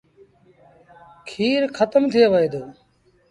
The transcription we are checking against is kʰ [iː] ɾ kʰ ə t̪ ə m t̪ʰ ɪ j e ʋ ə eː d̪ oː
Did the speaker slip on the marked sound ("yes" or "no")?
no